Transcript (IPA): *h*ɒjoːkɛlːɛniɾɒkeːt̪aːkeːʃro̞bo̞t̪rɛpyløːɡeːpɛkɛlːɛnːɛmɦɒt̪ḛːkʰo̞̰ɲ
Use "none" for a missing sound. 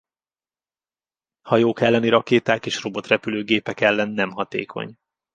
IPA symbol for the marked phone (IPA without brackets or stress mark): h